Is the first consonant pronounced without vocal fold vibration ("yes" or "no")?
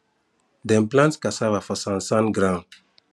no